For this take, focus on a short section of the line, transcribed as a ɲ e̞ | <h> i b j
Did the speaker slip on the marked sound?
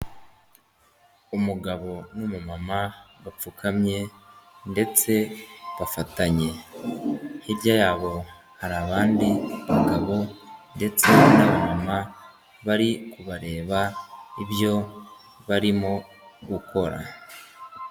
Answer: no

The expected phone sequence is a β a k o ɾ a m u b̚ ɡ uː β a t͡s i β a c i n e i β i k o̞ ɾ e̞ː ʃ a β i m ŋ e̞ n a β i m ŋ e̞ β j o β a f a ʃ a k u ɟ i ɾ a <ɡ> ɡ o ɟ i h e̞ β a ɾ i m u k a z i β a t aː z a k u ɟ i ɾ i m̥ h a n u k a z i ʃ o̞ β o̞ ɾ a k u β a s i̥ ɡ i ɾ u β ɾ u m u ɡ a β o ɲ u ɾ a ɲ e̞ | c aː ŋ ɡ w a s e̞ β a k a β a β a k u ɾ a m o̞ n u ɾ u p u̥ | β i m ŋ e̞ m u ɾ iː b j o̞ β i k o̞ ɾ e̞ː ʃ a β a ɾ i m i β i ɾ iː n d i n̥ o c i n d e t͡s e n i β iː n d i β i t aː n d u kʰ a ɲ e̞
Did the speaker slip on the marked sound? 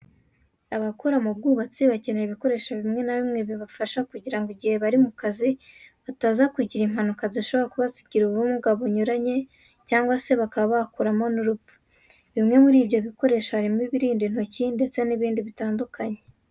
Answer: yes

